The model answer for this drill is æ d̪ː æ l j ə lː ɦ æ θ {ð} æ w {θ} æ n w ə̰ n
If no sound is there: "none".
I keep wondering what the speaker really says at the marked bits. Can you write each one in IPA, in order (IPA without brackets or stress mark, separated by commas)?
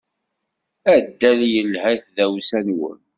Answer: ð, s